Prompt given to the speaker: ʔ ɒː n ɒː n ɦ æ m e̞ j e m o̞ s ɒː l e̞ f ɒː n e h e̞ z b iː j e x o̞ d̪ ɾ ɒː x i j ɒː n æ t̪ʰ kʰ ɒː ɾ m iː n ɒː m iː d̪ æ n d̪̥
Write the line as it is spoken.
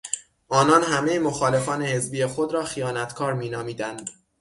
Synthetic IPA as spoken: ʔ ɒː n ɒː n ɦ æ m e̞ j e m o̞ x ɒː l e̞ f ɒː n e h e̞ z b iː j e x o̞ d̪ ɾ ɒː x i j ɒː n æ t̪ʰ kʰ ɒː ɾ m iː n ɒː m iː d̪ æ n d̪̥